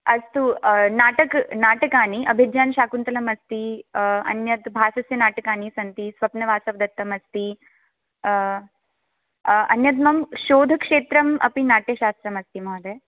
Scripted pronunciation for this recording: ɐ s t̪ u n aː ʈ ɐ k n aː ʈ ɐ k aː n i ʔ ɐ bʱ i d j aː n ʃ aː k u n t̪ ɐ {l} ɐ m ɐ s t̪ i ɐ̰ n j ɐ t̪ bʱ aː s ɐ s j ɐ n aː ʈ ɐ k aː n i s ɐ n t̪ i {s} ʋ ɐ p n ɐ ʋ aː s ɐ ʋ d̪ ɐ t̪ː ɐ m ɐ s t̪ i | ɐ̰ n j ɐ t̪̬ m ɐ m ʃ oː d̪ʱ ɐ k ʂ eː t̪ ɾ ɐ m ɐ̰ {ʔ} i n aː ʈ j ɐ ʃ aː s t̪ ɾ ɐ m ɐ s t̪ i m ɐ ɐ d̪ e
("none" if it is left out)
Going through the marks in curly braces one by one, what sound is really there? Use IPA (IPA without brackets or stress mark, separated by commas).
l, s, p